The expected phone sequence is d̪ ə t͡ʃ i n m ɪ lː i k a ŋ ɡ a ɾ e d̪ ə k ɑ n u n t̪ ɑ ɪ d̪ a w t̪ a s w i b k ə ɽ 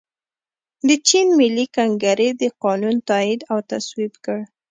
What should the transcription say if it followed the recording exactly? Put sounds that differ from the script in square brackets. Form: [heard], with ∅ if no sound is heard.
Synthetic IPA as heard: d̪ ə t͡ʃ i n m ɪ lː i k a ŋ ɡ a ɾ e d̪ ə [q] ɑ n u n t̪ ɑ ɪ d̪ a w t̪ a s w i b k ə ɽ